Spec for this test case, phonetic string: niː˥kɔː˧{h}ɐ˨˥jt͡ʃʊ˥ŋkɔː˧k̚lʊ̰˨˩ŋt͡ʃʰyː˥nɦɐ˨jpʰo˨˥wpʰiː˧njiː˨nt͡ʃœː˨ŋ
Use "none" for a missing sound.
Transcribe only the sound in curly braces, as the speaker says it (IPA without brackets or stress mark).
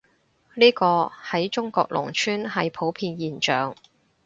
h